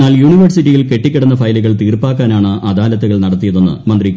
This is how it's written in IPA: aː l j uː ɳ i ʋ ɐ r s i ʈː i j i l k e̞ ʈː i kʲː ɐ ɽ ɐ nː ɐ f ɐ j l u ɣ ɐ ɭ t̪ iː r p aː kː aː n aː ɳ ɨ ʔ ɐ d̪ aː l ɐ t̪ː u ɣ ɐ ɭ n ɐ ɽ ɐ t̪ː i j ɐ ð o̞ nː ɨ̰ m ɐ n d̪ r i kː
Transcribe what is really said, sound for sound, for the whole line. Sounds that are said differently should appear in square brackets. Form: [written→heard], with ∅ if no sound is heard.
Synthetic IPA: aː l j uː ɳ i ʋ ɐ r s i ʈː i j i l k e̞ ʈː i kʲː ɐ ɽ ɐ nː ɐ f ɐ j l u ɣ ɐ ɭ t̪ iː r p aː kː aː n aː ɳ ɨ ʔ ɐ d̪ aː l ɐ t̪ː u ɣ ɐ ɭ n ɐ ɽ ɐ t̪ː i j ɐ ð o̞ nː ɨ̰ m ɐ n d̪ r i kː